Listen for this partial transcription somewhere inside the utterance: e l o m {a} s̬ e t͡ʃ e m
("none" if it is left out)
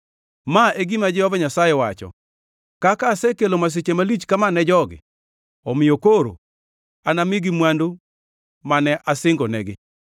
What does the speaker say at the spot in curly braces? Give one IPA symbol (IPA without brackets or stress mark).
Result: a